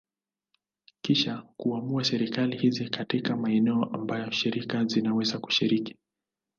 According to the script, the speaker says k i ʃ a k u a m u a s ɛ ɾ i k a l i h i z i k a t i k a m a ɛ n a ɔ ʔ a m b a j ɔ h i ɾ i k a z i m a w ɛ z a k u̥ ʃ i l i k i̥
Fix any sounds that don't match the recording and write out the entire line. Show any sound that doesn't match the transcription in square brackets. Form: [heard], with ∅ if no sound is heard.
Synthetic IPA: k i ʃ a k u a m u a s ɛ ɾ i k a l i h i z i k a t i k a m a ɛ n [ɛ] ɔ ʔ a m b a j ɔ [ʃ] i ɾ i k a z i [n] a w ɛ z a k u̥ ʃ i [ɾ] i k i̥